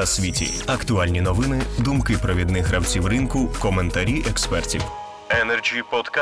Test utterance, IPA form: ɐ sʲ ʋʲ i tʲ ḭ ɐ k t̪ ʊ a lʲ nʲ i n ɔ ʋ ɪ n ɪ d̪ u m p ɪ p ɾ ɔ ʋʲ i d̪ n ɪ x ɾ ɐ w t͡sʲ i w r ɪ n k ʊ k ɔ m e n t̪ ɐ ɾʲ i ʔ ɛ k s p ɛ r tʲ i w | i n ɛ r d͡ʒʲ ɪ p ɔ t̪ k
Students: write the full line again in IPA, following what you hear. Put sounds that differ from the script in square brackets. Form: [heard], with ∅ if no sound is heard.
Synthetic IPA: ɐ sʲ ʋʲ i tʲ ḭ ɐ k t̪ ʊ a lʲ nʲ i n ɔ ʋ ɪ n ɪ d̪ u m [k] ɪ p ɾ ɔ ʋʲ i d̪ n ɪ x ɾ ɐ w t͡sʲ i w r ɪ n k ʊ k ɔ m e n t̪ ɐ ɾʲ i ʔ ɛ k s p ɛ r tʲ i w | [ɛ] n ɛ r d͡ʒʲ [i] p ɔ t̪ k